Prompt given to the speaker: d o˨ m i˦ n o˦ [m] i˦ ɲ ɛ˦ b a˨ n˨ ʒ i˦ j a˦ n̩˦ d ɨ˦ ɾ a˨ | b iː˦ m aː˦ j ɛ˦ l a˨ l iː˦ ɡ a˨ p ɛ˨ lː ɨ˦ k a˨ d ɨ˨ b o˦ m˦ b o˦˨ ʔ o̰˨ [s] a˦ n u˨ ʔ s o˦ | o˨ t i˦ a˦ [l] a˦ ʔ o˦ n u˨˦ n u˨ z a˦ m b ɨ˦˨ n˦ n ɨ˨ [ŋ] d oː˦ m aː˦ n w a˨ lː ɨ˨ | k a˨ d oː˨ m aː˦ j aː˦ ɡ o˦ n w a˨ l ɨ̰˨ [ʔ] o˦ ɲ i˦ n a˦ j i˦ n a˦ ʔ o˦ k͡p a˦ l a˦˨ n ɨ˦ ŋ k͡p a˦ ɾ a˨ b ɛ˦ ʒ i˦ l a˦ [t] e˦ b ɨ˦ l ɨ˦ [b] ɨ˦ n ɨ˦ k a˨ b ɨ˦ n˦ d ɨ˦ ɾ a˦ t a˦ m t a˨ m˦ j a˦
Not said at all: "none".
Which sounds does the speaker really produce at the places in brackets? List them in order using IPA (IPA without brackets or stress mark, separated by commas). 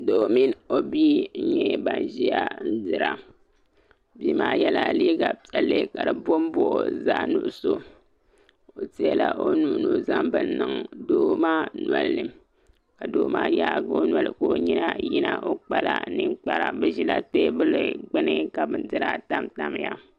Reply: b, z, l, ŋ, k, t, ɡ͡b